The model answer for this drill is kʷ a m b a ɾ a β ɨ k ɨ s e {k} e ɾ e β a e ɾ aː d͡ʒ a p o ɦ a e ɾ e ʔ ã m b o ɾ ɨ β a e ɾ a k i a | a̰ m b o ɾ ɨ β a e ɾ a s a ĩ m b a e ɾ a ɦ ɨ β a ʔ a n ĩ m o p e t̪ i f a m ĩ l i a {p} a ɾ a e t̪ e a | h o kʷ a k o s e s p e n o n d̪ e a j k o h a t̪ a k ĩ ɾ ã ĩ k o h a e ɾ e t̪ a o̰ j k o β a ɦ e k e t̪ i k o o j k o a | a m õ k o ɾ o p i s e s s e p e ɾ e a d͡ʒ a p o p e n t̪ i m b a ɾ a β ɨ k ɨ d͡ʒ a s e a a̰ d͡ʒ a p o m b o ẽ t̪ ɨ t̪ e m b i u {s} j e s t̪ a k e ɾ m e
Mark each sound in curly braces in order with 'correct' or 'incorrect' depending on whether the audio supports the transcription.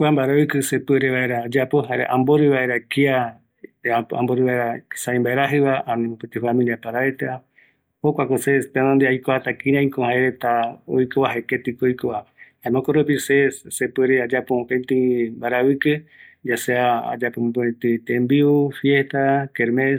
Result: incorrect, correct, incorrect

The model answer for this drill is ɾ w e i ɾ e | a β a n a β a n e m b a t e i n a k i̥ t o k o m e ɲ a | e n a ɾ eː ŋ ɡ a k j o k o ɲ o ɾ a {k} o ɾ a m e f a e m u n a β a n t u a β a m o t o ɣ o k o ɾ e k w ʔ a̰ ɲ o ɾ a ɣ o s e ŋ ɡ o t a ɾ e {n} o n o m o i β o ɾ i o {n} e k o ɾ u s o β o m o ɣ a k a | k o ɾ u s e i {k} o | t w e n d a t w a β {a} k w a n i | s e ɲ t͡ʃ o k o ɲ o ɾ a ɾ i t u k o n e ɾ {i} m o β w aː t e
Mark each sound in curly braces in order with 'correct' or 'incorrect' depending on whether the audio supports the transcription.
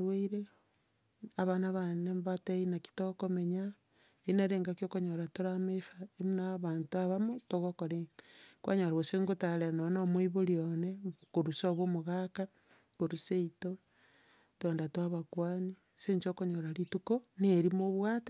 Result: incorrect, correct, correct, incorrect, correct, correct

